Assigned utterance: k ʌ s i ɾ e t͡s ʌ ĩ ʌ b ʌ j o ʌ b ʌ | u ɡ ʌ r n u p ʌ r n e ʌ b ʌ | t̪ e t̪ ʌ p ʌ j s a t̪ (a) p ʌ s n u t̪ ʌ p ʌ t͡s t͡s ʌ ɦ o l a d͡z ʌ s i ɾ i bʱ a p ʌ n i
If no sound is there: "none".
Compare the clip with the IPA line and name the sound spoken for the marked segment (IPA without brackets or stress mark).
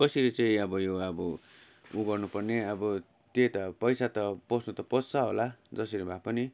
ʌ